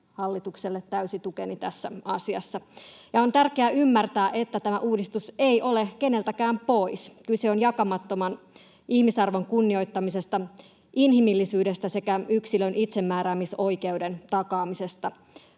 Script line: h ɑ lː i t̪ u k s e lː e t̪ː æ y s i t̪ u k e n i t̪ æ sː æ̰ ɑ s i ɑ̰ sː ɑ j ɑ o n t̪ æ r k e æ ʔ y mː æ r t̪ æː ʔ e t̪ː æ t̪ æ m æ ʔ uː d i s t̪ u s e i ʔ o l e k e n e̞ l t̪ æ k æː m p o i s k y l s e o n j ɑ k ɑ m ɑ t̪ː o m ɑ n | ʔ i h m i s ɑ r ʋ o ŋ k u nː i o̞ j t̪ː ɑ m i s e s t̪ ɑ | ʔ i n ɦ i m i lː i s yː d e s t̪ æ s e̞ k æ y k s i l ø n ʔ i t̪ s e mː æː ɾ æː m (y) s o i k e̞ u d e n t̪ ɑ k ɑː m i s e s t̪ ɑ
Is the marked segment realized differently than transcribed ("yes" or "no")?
yes